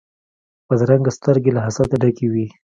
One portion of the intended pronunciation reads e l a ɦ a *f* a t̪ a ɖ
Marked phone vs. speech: incorrect: s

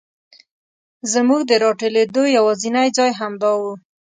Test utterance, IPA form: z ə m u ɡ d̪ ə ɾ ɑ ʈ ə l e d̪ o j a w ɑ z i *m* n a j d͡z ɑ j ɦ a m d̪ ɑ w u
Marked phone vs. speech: incorrect: none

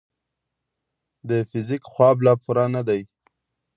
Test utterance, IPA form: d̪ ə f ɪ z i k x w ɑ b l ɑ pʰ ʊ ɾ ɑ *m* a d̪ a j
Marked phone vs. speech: incorrect: n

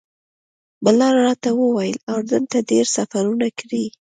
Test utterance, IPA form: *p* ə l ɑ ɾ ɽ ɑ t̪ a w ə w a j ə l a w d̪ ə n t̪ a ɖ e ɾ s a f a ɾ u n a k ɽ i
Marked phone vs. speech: incorrect: b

